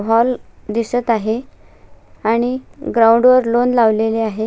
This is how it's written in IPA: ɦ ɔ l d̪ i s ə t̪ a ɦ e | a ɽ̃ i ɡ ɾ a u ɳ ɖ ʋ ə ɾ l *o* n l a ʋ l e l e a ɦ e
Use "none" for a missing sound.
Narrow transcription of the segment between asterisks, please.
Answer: o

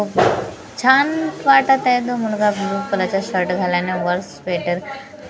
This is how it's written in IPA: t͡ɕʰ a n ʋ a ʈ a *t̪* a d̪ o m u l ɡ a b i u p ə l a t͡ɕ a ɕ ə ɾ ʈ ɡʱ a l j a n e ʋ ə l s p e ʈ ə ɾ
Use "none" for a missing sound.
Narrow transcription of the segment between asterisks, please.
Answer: t̪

